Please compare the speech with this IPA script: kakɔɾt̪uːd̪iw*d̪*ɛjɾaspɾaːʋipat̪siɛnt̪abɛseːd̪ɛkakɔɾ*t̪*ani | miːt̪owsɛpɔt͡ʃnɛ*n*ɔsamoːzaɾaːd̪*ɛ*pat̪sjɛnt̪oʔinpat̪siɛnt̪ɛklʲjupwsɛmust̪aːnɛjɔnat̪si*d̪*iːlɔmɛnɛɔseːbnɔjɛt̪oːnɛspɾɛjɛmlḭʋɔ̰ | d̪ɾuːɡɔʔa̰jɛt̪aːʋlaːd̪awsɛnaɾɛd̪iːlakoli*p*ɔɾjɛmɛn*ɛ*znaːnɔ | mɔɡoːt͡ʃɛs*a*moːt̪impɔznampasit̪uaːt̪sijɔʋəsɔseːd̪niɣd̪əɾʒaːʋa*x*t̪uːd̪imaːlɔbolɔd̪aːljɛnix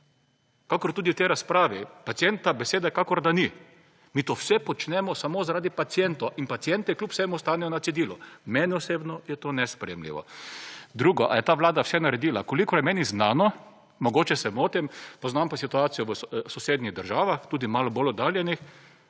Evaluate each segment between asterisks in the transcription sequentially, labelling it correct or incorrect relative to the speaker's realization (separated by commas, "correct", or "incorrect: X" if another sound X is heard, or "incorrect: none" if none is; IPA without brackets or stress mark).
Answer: incorrect: t̪, incorrect: d̪, incorrect: m, incorrect: i, correct, incorrect: k, incorrect: i, incorrect: ɛ, correct